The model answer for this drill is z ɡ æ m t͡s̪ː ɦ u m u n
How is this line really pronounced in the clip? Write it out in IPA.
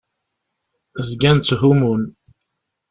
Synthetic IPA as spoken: z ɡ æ n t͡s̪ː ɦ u m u n

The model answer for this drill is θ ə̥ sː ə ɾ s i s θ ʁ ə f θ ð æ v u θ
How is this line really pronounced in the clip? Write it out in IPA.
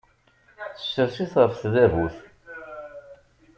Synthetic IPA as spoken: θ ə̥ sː ə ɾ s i θ ʁ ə f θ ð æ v u θ

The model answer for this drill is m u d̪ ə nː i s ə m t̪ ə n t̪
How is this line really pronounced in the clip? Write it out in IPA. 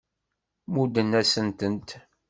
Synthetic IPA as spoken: m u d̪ ə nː æ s ə n t̪ ə n t̪

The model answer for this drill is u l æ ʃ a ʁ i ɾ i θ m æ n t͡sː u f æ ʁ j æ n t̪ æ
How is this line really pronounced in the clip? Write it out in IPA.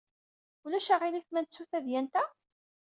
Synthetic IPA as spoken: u l æ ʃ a ʁ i l i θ m æ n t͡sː u θ æ ð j æ n t̪ æ

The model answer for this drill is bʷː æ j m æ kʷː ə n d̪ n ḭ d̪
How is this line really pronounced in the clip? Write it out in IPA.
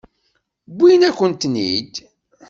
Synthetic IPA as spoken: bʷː i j n æ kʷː ə n t̪ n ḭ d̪

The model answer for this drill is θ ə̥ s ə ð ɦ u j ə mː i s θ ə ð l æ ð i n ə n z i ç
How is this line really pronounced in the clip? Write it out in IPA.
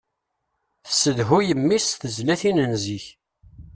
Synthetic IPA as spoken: θ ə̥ s ə ð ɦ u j ə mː i s θ ə z l æ θ i n ə n z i ç

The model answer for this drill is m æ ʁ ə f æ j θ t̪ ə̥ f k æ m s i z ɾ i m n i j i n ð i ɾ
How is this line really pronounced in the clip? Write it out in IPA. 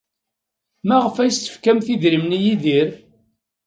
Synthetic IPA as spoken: m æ ʁ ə f æ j s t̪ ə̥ f k æ m θ i ð ɾ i m n i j i ð i ɾ

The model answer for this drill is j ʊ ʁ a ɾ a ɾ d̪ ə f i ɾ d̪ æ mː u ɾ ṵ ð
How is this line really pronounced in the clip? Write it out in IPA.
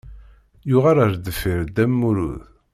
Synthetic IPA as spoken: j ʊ ʁ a ɾ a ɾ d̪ ə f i ɾ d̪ æ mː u ɾ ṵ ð

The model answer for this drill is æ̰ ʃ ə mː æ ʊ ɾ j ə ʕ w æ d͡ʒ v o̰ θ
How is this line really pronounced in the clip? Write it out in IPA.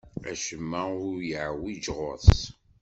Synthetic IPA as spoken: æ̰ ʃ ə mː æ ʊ ɾ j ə ʕ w i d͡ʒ ʁ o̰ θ

